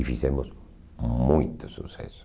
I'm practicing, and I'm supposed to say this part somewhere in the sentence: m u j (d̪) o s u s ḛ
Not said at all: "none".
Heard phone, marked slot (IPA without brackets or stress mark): t̪